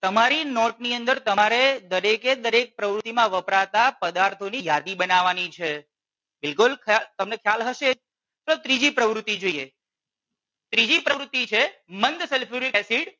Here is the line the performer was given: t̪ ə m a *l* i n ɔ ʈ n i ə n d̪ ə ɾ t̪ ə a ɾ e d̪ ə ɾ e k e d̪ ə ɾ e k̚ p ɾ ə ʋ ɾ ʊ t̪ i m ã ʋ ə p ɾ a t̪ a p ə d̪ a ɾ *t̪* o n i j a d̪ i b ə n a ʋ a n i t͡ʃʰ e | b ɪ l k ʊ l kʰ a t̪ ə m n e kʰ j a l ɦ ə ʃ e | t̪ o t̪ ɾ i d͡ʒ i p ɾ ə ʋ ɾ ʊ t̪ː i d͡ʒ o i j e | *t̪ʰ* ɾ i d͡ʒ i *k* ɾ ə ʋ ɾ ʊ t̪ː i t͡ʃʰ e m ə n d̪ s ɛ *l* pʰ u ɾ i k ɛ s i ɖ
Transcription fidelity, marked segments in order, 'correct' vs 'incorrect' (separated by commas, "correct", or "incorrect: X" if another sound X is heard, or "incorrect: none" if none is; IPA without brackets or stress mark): incorrect: ɾ, incorrect: t̪ʰ, incorrect: t̪, incorrect: p, correct